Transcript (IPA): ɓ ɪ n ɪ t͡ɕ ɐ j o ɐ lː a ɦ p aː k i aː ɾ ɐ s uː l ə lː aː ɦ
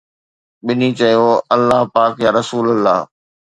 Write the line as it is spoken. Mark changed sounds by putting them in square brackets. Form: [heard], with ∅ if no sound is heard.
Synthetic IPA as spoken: ɓ ɪ n [i] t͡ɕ ɐ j o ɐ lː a ɦ p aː k [j] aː ɾ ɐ s uː l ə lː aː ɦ